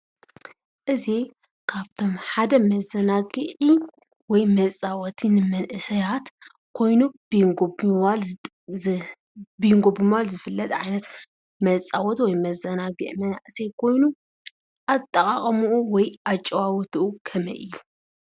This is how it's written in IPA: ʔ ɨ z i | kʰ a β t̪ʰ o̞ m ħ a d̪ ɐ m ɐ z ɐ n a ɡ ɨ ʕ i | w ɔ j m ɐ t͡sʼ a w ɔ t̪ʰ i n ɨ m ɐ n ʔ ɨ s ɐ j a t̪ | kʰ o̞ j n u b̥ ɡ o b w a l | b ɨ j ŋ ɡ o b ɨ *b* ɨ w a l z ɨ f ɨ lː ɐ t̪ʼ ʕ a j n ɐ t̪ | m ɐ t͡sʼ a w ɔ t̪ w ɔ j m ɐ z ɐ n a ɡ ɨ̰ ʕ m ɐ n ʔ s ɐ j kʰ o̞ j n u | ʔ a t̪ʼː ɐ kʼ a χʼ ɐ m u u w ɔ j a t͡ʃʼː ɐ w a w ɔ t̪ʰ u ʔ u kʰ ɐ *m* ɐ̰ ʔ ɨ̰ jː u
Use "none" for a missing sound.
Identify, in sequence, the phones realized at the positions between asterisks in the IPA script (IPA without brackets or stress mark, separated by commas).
m, m